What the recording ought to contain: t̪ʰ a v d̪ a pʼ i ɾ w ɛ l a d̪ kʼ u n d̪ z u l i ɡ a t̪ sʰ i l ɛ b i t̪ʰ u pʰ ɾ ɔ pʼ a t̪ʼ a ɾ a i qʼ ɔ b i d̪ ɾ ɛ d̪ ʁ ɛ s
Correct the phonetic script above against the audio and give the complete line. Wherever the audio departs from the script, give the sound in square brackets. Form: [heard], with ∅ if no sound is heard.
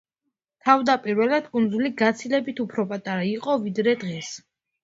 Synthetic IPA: t̪ʰ a v d̪ a pʼ i ɾ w ɛ l a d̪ kʼ u n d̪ z u l i ɡ a t̪ sʰ i l ɛ b i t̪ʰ u pʰ ɾ ɔ pʼ a t̪ʼ a ɾ a i qʼ ɔ [v] i d̪ ɾ ɛ d̪ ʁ ɛ s